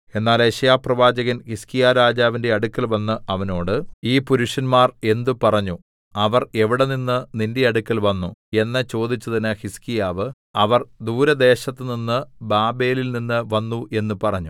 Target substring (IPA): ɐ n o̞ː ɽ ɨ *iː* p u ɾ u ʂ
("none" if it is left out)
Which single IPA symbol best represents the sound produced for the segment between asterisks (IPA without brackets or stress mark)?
iː